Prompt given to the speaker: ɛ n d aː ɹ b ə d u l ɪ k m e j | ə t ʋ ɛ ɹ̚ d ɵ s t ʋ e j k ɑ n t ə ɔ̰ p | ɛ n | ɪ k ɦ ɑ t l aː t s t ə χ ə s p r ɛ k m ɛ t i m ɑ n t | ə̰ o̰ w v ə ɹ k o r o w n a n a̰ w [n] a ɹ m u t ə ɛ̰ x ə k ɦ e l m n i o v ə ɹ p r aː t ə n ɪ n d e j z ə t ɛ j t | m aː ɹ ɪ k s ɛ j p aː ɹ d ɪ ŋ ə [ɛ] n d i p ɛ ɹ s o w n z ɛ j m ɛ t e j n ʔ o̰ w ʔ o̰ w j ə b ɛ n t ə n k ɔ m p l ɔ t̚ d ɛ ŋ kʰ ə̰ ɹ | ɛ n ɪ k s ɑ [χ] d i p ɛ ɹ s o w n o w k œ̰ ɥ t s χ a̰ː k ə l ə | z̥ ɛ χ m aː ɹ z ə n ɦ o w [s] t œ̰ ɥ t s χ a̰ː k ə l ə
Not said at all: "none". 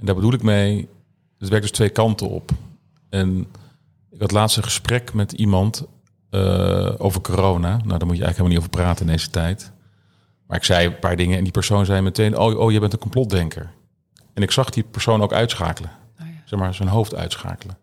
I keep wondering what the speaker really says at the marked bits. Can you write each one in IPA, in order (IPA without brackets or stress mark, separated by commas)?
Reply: d, ɛ, χ, f